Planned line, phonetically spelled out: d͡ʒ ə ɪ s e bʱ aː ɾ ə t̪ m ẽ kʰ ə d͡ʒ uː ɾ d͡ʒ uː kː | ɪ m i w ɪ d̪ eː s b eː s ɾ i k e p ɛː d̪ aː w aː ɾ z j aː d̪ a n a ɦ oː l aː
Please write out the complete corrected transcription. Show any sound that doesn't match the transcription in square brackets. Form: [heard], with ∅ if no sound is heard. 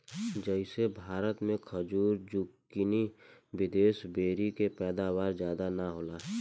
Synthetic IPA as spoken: d͡ʒ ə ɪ s e bʱ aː ɾ ə t̪ m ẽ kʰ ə d͡ʒ uː ɾ d͡ʒ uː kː | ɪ [n] i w ɪ d̪ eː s b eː [∅] ɾ i k e p ɛː d̪ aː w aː ɾ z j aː d̪ a n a ɦ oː l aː